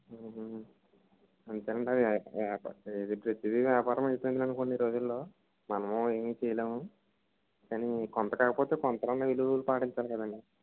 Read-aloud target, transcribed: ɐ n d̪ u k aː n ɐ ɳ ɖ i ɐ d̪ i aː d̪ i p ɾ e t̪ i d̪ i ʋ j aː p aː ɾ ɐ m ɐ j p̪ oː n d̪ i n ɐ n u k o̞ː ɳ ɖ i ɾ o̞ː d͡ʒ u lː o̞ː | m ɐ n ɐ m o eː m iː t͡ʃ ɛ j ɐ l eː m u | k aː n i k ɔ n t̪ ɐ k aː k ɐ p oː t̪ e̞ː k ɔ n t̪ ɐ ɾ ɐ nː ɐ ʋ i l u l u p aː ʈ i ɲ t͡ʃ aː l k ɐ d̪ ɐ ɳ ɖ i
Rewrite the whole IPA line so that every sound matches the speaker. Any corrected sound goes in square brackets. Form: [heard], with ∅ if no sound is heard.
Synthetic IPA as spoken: ɐ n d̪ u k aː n ɐ ɳ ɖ i ɐ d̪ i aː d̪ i p ɾ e t̪ i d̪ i ʋ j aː p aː ɾ ɐ m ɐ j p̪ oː n d̪ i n ɐ n u k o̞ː ɳ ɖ i ɾ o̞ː d͡ʒ u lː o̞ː | m ɐ n ɐ m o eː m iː t͡ʃ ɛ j ɐ l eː m u | k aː n i k ɔ n t̪ ɐ k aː k ɐ p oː t̪ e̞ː k ɔ n t̪ ɐ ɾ ɐ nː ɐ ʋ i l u l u p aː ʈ i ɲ t͡ʃ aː l k ɐ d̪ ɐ ɳ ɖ i

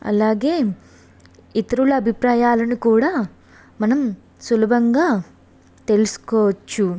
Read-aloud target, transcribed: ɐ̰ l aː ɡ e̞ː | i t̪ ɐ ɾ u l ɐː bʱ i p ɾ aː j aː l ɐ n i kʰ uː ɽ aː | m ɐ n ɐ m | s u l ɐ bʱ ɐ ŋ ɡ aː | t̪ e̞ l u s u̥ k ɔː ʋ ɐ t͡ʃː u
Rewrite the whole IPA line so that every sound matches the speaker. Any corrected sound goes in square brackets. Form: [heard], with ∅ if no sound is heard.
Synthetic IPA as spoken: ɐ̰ l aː ɡ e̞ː | i t̪ ɐ ɾ u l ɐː bʱ i p ɾ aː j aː l ɐ n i [k] uː ɽ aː | m ɐ n ɐ m | s u l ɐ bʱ ɐ ŋ ɡ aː | t̪ e̞ l u s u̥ k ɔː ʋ ɐ t͡ʃː u

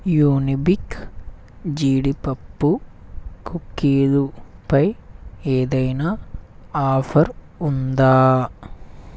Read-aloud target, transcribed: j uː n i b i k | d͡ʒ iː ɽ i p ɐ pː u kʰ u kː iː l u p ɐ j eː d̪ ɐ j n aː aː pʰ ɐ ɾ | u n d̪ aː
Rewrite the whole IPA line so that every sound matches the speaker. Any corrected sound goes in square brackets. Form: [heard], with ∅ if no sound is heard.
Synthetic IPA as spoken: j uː n i b i k | d͡ʒ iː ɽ i p ɐ pː u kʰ u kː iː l u p ɐ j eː d̪ ɐ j n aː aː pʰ ɐ ɾ | u n d̪ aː

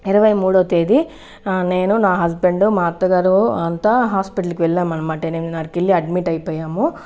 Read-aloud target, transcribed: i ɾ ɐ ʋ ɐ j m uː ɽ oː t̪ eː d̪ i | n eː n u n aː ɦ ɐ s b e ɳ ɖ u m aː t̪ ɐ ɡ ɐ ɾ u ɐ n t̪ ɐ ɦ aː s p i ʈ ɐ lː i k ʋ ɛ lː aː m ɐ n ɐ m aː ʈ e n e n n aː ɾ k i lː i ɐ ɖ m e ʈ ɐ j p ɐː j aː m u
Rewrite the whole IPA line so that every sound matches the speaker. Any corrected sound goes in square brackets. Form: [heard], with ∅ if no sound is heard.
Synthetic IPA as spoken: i ɾ ɐ ʋ ɐ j m uː ɽ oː t̪ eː d̪ i | n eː n u n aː ɦ ɐ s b e ɳ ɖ u m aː t̪ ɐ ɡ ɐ ɾ u ɐ n t̪ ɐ ɦ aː s p i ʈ ɐ [l] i k ʋ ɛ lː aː m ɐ n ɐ m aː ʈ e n e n n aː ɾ k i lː i ɐ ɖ m [i] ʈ ɐ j p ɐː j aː m u

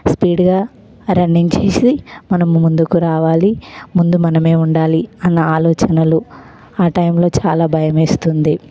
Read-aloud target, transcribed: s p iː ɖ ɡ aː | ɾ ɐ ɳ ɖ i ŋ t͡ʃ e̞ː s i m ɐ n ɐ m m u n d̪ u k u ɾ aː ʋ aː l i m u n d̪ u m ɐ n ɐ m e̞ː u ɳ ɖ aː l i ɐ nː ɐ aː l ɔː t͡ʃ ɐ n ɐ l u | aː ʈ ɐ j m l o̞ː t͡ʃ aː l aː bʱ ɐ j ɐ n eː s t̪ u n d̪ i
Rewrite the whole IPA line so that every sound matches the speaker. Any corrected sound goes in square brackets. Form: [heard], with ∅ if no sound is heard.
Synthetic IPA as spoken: s p iː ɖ ɡ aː | ɾ ɐ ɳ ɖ i ŋ t͡ʃ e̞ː s i m ɐ n ɐ m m u n d̪ u k u ɾ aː ʋ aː l i m u n d̪ u m ɐ n ɐ m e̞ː u ɳ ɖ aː l i ɐ nː ɐ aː l ɔː t͡ʃ ɐ n ɐ l u | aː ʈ ɐ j m l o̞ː t͡ʃ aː l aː bʱ ɐ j ɐ [m] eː s t̪ u n d̪ i

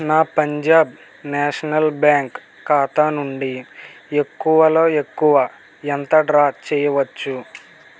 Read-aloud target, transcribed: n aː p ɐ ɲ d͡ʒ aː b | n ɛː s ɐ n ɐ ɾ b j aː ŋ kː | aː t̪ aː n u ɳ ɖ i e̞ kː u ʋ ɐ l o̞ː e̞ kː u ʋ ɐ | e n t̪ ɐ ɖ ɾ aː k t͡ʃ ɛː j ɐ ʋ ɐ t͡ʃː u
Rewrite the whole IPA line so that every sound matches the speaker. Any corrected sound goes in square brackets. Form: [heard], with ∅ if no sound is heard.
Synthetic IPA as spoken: n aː p ɐ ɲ d͡ʒ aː b | n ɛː [ʂ] ɐ n ɐ [l] b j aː ŋ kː | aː t̪ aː n u ɳ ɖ i e̞ kː u ʋ ɐ l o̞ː e̞ kː u ʋ ɐ | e n t̪ ɐ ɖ ɾ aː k t͡ʃ ɛː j ɐ ʋ ɐ t͡ʃː u

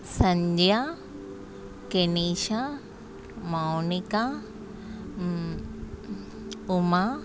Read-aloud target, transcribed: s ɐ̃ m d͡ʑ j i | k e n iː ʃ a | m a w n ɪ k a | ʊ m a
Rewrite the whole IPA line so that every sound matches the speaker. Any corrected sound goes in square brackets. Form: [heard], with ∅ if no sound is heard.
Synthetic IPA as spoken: s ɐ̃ [ɲ] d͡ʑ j [a] | k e n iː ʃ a | m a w n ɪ k a | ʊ m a

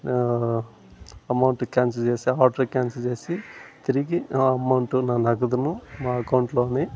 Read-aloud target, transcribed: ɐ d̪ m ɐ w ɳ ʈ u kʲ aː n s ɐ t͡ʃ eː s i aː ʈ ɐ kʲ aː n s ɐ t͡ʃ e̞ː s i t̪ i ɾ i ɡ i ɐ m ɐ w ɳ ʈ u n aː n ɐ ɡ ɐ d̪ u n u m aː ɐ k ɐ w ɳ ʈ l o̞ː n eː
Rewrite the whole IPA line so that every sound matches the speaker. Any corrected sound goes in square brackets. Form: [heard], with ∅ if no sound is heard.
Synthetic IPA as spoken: ɐ [∅] m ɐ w ɳ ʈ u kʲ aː n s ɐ t͡ʃ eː s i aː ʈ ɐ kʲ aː n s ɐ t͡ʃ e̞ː s i t̪ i ɾ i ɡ i ɐ m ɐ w ɳ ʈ u n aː n ɐ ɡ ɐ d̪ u n u m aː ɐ k ɐ w ɳ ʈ l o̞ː n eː

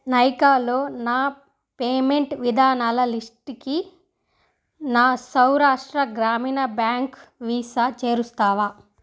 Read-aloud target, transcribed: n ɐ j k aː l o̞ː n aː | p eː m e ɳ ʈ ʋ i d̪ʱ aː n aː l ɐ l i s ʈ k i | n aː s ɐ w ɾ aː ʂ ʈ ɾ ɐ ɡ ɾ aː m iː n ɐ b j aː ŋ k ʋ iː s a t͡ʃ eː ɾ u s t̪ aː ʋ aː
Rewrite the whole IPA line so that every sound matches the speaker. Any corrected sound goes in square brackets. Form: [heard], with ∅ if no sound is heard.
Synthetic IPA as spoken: n ɐ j k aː l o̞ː n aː | p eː m e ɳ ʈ ʋ i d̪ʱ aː n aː l ɐ l i s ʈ k i | n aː s ɐ w ɾ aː ʂ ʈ ɾ ɐ ɡ ɾ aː m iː n ɐ b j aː ŋ k ʋ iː s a t͡ʃ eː ɾ u s t̪ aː ʋ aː

